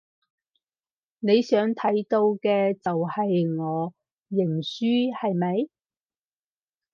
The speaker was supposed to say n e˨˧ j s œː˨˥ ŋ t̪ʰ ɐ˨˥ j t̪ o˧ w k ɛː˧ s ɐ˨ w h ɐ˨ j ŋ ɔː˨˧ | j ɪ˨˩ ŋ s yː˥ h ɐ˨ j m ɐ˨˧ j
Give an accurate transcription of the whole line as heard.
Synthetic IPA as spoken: n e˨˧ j s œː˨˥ ŋ t̪ʰ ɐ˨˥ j t̪ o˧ w k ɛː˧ t͡s ɐ˨ w h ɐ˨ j ŋ ɔː˨˧ | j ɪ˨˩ ŋ s yː˥ h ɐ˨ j m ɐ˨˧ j